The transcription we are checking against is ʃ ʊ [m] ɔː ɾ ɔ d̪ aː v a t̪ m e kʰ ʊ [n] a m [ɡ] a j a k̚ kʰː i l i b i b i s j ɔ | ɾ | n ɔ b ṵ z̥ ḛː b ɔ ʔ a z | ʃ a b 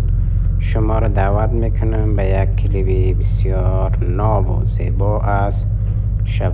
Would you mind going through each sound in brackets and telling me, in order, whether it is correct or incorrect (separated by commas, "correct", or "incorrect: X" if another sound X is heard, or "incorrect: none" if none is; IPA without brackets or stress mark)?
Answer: correct, correct, incorrect: b